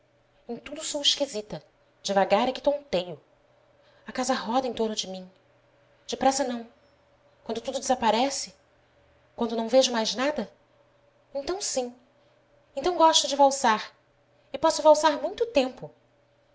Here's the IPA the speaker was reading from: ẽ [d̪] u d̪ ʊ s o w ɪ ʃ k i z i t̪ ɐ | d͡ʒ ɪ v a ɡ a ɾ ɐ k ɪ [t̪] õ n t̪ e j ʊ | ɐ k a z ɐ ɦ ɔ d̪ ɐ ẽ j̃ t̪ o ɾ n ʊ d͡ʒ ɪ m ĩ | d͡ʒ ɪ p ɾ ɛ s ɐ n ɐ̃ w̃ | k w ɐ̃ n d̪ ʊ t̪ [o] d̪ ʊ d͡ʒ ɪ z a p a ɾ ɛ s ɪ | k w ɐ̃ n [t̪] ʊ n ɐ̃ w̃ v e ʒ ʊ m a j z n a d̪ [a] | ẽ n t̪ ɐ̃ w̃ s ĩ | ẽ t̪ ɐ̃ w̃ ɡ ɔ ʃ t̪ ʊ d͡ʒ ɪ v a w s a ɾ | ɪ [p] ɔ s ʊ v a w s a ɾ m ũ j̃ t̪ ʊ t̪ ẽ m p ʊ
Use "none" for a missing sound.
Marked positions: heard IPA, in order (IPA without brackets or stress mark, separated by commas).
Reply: t̪, t̪, u, d̪, ɐ, p